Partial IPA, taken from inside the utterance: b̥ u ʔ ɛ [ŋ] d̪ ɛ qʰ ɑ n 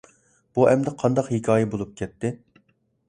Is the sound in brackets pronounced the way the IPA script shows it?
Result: no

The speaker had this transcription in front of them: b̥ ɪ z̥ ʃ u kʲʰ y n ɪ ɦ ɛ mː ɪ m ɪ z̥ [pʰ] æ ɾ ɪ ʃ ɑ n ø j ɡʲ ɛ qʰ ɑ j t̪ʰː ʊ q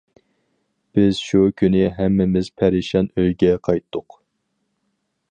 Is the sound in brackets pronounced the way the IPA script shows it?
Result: yes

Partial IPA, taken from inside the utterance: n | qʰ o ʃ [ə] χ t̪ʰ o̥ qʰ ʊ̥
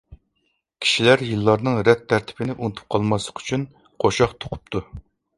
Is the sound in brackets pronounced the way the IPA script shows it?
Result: no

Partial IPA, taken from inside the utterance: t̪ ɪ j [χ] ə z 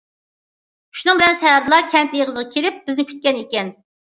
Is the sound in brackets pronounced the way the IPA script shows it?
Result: no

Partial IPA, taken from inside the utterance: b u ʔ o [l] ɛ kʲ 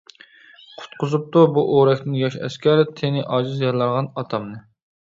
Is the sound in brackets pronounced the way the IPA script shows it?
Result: no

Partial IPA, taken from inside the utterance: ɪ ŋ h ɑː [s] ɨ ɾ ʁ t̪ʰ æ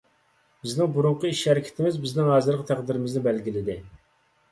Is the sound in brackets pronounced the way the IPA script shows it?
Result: no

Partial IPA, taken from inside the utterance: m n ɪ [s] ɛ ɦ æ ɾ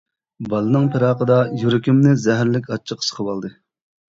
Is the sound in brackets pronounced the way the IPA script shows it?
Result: no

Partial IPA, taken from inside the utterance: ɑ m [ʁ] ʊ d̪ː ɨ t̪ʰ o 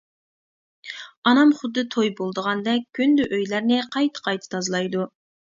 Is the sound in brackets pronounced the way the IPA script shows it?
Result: no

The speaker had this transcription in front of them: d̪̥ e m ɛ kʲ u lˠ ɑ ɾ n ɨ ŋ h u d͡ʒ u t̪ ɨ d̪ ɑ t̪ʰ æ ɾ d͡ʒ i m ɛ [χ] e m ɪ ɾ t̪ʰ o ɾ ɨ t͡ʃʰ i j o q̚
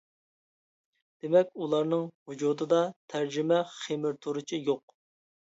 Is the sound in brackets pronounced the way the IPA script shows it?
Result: yes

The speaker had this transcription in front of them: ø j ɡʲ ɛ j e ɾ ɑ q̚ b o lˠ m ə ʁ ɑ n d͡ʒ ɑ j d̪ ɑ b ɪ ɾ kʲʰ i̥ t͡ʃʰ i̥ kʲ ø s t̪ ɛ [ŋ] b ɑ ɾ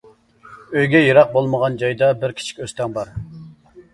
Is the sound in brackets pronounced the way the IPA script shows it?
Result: yes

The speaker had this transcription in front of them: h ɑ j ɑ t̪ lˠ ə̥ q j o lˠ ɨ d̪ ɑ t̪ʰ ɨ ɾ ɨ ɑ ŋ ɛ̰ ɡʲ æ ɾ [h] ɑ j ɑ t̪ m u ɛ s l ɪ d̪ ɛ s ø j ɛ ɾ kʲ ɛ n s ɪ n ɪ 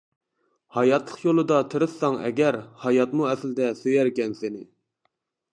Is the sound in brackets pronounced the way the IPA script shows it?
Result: yes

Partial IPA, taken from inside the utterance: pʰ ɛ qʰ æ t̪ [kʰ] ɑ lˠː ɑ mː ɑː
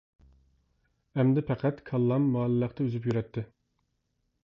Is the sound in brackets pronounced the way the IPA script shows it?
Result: yes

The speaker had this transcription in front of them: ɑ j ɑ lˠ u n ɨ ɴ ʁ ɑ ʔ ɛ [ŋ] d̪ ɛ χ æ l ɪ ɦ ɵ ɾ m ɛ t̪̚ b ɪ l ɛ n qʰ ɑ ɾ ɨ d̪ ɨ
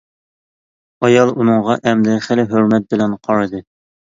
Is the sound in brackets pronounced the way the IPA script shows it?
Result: no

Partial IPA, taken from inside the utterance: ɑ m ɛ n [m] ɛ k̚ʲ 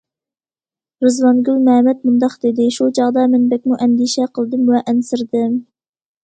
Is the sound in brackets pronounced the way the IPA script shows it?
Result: no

